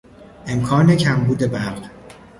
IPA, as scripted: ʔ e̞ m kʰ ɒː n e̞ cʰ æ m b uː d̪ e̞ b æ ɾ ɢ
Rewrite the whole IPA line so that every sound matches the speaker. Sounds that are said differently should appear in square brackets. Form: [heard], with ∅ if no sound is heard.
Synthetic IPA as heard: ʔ e̞ m kʰ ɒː n e̞ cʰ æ m b uː d̪ e̞ b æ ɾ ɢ